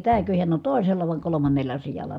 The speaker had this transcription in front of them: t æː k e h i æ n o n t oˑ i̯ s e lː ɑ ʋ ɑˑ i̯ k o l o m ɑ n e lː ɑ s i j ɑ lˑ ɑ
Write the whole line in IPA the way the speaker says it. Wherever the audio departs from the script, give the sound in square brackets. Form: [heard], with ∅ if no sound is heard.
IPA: t æː k [ø] h i æ n o n t oˑ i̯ s e lː ɑ ʋ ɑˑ i̯ k o l o m ɑ [nː] e lː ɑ s i j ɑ lˑ ɑ